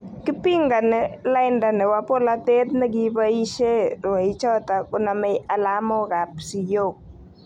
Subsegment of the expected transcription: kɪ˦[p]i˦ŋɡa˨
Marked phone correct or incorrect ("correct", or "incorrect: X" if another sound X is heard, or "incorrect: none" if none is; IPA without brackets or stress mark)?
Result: correct